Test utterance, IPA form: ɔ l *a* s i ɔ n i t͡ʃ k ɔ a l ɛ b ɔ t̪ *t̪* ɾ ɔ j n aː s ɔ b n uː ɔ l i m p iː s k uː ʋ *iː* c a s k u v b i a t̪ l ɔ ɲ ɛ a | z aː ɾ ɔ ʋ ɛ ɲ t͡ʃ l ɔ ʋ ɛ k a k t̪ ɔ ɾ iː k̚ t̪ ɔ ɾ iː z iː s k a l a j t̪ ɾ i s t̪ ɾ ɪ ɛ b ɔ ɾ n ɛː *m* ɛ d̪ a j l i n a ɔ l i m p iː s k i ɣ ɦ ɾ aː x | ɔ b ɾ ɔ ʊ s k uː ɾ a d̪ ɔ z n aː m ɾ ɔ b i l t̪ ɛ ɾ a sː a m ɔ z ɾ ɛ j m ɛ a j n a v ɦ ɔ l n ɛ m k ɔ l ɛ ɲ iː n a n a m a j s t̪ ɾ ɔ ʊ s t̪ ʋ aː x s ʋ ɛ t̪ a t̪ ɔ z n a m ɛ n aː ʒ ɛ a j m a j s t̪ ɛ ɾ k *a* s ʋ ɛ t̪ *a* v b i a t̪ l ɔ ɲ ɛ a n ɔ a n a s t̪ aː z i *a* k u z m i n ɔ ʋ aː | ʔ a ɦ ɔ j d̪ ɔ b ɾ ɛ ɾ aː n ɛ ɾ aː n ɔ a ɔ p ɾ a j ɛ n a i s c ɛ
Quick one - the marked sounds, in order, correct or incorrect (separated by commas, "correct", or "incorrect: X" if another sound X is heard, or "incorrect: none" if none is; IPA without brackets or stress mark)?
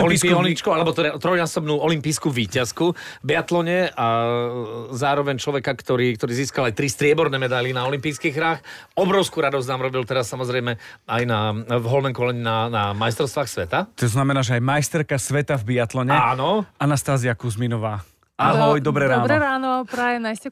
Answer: incorrect: i, correct, correct, correct, correct, correct, correct